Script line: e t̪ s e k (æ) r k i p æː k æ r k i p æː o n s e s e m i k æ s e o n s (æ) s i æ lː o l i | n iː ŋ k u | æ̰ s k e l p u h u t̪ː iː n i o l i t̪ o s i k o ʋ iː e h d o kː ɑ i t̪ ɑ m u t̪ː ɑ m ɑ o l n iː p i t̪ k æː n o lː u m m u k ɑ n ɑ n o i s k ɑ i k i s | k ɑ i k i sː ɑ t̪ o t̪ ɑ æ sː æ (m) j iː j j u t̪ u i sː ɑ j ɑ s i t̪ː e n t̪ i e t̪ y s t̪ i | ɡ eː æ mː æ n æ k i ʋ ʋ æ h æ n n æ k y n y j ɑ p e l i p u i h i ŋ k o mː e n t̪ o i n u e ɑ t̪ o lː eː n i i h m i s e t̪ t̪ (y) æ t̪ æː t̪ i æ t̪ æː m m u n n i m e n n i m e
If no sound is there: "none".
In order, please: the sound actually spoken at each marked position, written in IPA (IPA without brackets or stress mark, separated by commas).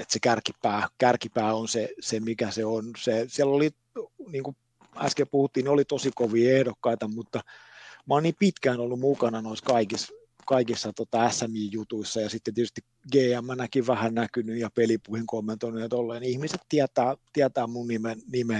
æ, e, m, i